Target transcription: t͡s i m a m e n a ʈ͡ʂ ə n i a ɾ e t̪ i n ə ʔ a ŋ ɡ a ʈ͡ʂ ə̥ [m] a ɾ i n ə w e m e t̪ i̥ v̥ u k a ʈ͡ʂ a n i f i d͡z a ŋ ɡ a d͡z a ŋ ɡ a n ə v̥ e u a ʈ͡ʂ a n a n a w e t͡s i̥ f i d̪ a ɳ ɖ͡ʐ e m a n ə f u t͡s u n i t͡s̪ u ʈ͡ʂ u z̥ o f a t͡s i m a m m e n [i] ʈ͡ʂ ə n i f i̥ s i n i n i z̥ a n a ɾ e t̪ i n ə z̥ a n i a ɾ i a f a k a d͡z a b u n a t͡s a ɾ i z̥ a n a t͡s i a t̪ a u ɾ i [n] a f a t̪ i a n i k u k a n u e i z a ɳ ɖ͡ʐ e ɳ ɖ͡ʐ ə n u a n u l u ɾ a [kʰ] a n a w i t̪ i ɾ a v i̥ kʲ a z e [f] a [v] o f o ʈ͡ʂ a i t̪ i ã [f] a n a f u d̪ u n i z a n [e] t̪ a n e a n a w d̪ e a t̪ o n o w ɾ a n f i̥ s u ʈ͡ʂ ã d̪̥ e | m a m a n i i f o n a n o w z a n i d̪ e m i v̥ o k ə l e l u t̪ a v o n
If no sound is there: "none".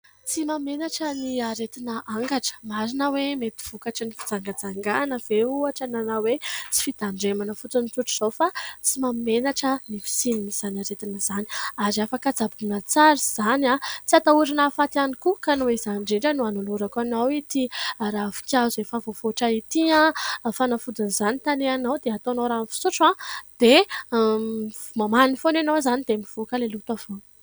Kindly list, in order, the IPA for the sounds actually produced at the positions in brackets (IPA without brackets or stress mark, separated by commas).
m, a, n, k, f, v, f, i